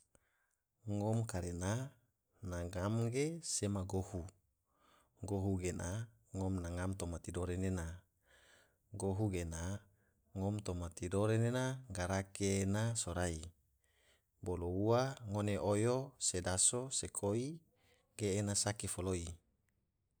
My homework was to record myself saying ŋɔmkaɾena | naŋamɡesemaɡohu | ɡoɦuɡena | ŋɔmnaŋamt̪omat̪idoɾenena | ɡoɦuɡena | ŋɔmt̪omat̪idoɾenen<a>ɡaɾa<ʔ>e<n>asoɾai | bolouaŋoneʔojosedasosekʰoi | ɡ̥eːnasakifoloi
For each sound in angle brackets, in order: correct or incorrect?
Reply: correct, incorrect: k, correct

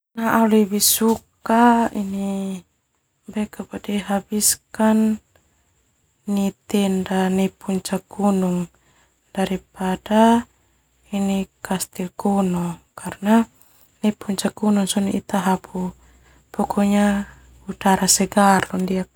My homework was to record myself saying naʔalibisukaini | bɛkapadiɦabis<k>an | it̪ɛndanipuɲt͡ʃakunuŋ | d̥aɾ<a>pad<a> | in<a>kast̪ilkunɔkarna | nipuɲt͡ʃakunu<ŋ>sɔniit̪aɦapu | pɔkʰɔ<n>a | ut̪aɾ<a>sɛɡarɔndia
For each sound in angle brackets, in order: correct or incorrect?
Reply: correct, incorrect: i, correct, incorrect: i, correct, incorrect: ɲ, correct

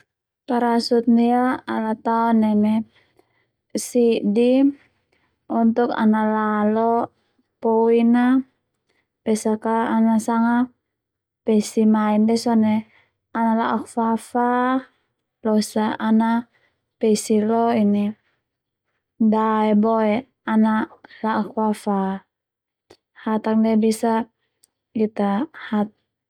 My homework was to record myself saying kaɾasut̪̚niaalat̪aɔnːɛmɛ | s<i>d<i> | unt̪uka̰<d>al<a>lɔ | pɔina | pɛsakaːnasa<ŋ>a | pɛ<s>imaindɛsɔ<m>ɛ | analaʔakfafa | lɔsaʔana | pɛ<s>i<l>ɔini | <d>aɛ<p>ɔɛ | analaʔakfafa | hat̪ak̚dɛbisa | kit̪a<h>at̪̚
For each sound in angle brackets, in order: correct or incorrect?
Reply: correct, correct, incorrect: n, correct, correct, correct, incorrect: n, correct, correct, correct, incorrect: b, correct

